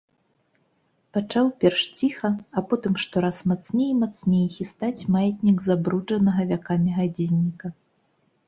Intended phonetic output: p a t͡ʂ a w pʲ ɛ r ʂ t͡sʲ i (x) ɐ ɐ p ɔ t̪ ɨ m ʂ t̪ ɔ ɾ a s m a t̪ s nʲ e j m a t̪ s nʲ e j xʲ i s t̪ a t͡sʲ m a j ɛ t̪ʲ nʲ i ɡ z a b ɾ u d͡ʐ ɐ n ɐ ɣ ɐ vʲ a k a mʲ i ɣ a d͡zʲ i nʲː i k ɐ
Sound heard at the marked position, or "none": x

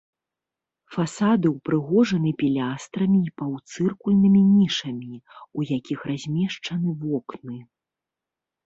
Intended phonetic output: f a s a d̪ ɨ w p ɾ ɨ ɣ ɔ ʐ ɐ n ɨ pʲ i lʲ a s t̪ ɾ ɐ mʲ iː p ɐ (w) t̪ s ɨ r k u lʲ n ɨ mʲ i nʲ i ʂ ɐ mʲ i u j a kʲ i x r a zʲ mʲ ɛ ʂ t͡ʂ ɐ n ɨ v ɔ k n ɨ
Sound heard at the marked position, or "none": w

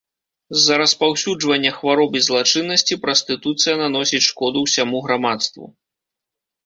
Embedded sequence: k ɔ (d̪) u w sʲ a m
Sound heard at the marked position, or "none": d̪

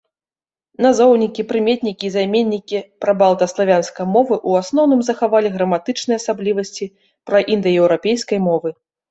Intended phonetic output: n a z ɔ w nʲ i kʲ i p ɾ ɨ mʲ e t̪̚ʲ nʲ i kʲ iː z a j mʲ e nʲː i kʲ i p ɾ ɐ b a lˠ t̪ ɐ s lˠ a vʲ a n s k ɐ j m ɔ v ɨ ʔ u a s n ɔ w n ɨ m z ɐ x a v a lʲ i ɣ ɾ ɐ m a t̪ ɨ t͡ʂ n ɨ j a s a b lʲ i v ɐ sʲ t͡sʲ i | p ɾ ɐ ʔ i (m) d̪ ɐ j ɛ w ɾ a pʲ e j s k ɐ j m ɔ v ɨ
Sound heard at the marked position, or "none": n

